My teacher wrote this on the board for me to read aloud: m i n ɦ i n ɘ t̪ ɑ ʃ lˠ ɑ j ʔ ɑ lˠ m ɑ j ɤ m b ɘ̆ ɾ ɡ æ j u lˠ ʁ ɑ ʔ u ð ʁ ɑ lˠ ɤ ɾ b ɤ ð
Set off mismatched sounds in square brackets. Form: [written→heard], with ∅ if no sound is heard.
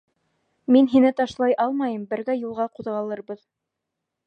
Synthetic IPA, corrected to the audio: m i n ɦ i n ɘ t̪ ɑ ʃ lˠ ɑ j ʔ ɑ lˠ m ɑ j ɤ m b ɘ̆ ɾ ɡ æ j u lˠ ʁ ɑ [ʔ→q] u ð ʁ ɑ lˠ ɤ ɾ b ɤ ð